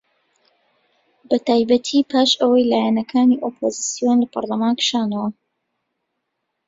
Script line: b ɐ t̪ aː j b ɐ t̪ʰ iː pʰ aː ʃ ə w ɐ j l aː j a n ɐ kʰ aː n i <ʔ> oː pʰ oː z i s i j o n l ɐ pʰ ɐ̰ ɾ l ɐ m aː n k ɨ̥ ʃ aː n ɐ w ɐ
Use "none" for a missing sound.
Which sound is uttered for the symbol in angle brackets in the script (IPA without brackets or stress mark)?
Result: ʔ